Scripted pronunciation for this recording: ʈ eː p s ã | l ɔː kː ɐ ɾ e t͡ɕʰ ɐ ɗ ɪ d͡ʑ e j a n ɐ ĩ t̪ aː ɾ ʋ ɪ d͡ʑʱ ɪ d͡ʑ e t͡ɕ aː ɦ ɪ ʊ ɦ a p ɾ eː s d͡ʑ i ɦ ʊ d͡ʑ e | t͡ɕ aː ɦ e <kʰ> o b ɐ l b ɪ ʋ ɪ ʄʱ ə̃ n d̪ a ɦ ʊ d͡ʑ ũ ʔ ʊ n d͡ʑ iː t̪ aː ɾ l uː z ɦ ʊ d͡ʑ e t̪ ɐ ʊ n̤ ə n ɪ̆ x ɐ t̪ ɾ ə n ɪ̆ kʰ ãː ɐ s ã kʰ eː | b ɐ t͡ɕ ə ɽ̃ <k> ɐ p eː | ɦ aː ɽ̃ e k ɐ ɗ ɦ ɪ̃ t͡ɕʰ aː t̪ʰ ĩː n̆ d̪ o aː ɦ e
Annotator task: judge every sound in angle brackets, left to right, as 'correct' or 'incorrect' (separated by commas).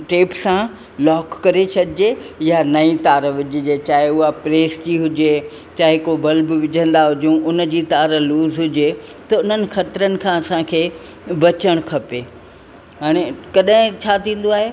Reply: incorrect, incorrect